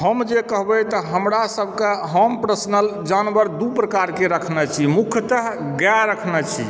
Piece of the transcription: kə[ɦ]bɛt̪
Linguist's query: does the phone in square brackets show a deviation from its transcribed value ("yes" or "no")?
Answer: no